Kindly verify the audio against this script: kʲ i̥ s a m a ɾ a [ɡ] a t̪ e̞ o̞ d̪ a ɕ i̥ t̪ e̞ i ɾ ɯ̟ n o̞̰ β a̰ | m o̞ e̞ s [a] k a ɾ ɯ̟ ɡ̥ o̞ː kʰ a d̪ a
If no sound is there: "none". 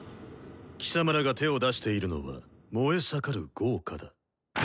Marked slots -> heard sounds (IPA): ɡ, a

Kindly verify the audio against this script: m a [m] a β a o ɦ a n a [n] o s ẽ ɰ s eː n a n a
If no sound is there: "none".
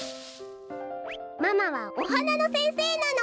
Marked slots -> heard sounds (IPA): m, n

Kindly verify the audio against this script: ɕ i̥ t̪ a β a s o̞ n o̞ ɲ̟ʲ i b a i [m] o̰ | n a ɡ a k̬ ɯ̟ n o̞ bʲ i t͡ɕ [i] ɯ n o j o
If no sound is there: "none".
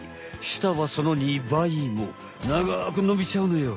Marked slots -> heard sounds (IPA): m, a

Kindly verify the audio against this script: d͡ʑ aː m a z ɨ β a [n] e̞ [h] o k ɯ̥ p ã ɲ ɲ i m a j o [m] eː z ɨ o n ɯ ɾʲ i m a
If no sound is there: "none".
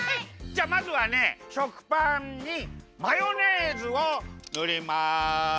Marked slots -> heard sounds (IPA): n, ɕ, n

